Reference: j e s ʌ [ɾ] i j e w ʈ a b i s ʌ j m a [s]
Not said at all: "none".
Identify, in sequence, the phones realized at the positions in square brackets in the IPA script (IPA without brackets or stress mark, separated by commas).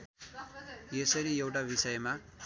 ɾ, none